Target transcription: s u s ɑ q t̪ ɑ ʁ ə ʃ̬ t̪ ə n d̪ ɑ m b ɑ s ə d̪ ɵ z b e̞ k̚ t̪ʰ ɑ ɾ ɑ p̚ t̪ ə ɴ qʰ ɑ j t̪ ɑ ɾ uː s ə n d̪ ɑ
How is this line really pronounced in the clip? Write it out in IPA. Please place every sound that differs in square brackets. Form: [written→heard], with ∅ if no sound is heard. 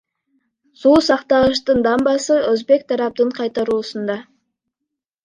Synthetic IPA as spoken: s u s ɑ q t̪ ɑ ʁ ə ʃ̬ t̪ ə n d̪ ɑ m b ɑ s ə [d̪→∅] ɵ z b e̞ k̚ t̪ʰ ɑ ɾ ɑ p̚ t̪ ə ɴ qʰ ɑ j t̪ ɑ ɾ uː s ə n d̪ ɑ